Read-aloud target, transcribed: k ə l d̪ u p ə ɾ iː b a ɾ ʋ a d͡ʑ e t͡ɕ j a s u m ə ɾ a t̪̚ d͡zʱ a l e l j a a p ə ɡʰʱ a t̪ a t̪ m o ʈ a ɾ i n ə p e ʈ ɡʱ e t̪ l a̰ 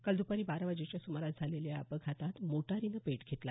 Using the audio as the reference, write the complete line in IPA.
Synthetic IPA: k ə l d̪ u p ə ɾ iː b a ɾ ʋ a d͡ʑ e t͡ɕ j a s u m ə ɾ a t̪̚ d͡zʱ a l e l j a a p ə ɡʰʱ a t̪ a t̪ m o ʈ a ɾ i n ə p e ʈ ɡʱ e t̪ l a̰